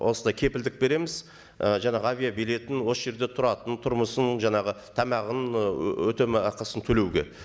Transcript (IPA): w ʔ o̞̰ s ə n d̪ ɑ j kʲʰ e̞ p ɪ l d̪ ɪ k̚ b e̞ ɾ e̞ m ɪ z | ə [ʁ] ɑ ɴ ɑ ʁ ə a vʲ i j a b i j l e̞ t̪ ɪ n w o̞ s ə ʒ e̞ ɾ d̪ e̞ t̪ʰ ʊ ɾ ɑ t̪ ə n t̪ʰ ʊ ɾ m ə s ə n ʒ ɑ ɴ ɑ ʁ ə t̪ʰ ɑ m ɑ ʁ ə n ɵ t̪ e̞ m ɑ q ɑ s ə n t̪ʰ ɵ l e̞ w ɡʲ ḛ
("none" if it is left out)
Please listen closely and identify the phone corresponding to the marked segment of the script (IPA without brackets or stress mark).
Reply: ʒ